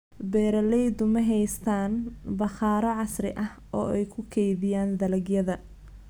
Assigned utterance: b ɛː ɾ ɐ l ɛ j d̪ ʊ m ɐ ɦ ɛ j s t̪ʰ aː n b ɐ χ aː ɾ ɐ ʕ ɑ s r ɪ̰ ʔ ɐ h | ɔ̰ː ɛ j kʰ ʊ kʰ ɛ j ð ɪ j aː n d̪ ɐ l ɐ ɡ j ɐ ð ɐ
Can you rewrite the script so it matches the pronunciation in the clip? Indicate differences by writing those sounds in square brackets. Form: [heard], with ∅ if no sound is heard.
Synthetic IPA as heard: b ɛː ɾ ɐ l ɛ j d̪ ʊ m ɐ ɦ ɛ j s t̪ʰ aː n b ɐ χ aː ɾ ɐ ʕ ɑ s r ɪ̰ ʔ ɐ h | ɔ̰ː ɛ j kʰ ʊ kʰ ɛ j ð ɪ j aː n d̪ ɐ l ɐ ɡ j ɐ ð ɐ